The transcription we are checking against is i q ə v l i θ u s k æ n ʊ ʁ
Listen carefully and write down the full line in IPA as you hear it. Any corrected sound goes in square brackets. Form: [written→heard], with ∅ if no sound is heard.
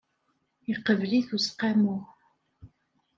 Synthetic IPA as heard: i q ə v l i θ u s [k→q] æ [n→m] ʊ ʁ